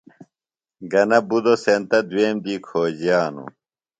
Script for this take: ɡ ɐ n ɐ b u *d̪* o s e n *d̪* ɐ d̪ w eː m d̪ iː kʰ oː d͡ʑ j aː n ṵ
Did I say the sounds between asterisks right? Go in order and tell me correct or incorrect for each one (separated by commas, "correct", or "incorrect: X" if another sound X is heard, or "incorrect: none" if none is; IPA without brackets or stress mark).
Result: correct, incorrect: t̪